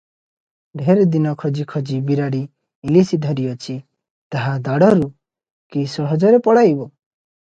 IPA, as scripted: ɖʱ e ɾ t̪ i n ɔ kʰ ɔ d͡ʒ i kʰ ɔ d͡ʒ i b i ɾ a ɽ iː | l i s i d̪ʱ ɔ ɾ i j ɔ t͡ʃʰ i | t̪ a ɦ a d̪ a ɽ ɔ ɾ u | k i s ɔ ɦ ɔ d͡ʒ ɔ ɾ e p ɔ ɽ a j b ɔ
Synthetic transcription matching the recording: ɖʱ e ɾ d̪ i n ɔ kʰ ɔ d͡ʒ i kʰ ɔ d͡ʒ i b i ɾ a ɽ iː | l i s i d̪ʱ ɔ ɾ i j ɔ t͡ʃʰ i | t̪ a ɦ a d̪ a ɽ ɔ ɾ u | k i s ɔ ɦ ɔ d͡ʒ ɔ ɾ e p ɔ ɽ a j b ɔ